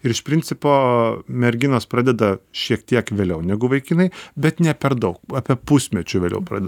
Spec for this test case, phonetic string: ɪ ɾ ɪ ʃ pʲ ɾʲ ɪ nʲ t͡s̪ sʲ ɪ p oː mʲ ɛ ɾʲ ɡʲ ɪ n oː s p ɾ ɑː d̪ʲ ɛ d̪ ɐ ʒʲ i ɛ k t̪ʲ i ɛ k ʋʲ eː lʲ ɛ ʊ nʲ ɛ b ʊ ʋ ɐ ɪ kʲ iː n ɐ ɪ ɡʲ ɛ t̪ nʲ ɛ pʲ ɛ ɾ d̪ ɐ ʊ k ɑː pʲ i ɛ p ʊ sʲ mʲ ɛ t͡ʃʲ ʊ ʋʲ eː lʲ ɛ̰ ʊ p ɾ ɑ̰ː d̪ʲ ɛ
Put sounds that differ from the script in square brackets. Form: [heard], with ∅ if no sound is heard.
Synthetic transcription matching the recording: ɪ ɾ ɪ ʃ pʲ ɾʲ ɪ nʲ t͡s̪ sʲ ɪ p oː mʲ ɛ ɾʲ ɡʲ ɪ n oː s p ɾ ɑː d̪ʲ ɛ d̪ ɐ [ʃʲ] i ɛ k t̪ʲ i ɛ k ʋʲ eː lʲ ɛ ʊ nʲ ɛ [ɡ] ʊ ʋ ɐ ɪ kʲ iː n ɐ ɪ [bʲ] ɛ t̪ nʲ ɛ pʲ ɛ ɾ d̪ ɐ ʊ k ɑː pʲ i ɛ p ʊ sʲ mʲ ɛ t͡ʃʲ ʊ ʋʲ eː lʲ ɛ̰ ʊ p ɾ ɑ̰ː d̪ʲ ɛ